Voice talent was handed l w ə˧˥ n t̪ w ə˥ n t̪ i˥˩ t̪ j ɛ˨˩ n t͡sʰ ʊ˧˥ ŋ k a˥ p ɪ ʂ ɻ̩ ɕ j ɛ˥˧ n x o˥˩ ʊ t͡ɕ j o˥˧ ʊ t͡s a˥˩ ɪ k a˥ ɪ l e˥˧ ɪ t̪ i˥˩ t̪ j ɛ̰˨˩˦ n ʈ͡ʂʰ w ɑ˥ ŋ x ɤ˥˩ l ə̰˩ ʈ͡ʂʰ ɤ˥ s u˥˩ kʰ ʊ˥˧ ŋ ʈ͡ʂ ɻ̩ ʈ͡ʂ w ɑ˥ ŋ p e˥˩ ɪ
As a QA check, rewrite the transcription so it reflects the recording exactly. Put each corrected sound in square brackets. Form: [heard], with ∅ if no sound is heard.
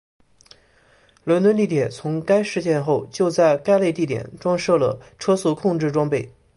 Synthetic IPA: l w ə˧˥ n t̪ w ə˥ n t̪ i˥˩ t̪ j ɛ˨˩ n t͡sʰ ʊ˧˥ ŋ k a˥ [∅] ɪ ʂ ɻ̩ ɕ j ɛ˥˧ n x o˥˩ ʊ t͡ɕ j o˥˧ ʊ t͡s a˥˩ ɪ k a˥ ɪ l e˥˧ ɪ t̪ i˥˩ t̪ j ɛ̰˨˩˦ n [ʈ͡ʂ] w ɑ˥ ŋ [ʂ] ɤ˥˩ l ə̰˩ ʈ͡ʂʰ ɤ˥ s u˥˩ kʰ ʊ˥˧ ŋ ʈ͡ʂ ɻ̩ ʈ͡ʂ w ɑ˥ ŋ p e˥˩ ɪ